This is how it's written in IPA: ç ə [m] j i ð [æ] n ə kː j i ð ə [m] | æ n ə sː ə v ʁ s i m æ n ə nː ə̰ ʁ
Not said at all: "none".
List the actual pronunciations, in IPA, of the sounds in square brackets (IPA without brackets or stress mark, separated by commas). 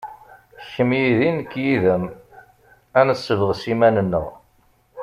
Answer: m, i, m